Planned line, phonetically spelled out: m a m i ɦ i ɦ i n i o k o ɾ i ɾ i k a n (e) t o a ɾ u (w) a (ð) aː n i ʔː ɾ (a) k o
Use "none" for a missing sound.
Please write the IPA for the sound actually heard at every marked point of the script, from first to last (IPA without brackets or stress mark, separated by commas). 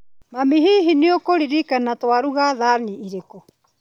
a, ɣ, ð, e